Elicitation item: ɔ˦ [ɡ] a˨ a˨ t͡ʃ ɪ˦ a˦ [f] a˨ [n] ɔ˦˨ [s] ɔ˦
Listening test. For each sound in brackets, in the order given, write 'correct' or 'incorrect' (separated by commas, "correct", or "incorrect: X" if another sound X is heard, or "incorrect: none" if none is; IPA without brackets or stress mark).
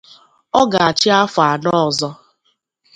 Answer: correct, correct, correct, incorrect: z